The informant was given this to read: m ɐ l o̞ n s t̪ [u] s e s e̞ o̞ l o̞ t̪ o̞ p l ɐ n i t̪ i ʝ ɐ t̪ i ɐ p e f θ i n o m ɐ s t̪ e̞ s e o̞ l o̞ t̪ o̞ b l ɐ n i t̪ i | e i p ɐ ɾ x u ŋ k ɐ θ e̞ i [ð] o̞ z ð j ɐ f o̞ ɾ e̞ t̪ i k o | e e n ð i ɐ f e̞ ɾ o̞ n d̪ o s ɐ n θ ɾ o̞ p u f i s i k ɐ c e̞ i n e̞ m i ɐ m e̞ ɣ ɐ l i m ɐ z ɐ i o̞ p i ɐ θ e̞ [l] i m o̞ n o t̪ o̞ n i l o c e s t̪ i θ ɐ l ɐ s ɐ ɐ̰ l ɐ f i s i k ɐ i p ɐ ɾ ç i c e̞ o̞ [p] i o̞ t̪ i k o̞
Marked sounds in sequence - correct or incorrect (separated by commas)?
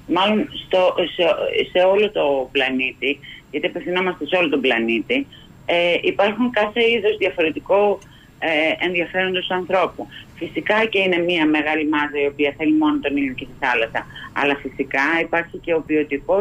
incorrect, correct, correct, correct